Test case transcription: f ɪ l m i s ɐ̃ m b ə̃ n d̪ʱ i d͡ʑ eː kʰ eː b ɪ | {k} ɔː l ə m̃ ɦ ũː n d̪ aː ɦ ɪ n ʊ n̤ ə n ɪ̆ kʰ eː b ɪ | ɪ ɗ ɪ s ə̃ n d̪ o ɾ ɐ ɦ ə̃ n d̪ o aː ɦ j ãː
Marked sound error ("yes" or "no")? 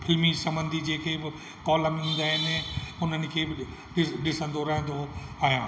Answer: no